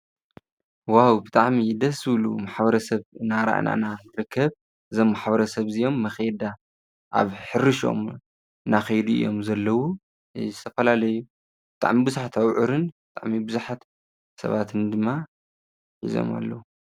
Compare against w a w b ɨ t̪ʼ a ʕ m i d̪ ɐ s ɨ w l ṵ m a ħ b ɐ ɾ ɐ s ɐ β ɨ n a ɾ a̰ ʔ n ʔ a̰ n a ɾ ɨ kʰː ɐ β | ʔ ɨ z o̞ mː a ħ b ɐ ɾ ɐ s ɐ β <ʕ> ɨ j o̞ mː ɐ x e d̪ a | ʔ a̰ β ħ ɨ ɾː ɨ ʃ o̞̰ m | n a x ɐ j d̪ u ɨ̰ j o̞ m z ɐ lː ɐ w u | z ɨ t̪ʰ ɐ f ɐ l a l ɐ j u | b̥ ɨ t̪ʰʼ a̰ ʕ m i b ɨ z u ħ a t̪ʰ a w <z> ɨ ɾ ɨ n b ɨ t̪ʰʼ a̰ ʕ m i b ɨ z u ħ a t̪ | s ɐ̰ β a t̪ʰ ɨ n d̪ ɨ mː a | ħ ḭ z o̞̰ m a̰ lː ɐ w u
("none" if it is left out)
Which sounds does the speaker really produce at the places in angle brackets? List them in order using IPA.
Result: z, ʕ

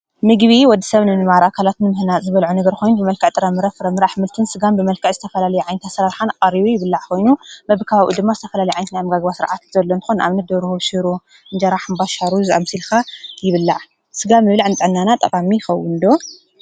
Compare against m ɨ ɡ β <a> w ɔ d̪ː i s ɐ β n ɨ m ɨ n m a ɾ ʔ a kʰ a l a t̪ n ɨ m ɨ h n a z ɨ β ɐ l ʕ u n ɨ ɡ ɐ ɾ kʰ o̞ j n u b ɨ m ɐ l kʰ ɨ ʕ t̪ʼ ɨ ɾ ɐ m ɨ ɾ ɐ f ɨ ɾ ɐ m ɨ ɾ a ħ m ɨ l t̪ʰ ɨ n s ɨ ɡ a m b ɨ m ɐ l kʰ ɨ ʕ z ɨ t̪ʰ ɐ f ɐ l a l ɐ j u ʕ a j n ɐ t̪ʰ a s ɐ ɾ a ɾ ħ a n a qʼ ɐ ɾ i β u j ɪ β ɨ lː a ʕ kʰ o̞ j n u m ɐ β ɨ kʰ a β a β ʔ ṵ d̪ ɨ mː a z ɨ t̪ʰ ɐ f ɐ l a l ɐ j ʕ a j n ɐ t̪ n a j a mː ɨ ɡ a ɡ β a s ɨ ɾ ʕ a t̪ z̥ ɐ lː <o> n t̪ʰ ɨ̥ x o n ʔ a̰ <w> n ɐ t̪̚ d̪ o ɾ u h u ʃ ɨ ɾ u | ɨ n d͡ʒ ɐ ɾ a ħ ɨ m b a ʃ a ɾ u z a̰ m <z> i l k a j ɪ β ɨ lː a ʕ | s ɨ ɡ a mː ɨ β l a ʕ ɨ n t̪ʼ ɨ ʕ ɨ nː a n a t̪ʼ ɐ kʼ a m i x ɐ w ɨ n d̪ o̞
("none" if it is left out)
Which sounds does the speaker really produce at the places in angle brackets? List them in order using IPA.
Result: i, o, β, s

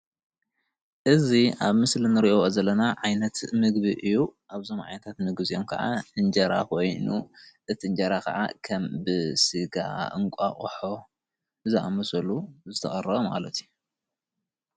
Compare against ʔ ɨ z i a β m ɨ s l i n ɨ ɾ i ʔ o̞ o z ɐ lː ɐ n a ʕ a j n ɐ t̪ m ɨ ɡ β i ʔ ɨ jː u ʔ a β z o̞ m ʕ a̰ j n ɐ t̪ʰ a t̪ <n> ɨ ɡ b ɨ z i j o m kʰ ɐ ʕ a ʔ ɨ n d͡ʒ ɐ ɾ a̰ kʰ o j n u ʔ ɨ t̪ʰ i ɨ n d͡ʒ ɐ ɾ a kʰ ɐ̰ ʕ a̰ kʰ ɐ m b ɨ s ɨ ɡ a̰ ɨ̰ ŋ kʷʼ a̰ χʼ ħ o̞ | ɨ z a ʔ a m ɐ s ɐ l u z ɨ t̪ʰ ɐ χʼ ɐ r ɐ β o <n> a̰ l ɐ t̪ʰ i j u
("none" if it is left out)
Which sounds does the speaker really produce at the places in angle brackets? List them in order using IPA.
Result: m, m

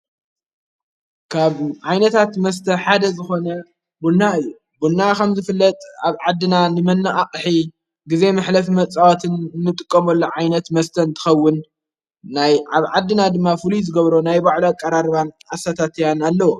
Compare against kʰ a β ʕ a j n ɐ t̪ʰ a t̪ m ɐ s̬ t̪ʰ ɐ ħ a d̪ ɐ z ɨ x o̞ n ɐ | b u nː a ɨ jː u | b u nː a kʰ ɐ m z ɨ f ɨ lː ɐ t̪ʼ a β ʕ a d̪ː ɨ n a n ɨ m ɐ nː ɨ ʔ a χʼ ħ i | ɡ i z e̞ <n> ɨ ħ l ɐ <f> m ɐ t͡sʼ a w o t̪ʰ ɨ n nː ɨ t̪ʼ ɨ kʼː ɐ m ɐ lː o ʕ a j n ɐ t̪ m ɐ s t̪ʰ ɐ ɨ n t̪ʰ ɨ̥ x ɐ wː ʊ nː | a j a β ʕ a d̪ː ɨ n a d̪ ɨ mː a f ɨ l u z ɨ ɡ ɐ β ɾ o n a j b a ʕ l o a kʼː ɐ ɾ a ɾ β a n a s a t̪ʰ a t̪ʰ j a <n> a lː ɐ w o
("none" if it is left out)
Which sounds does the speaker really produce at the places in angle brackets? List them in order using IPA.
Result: m, f, n

